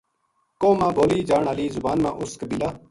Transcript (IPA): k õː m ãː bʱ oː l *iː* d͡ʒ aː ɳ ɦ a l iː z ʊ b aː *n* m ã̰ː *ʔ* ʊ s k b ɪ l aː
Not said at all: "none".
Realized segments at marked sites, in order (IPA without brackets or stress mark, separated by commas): iː, n, ʔ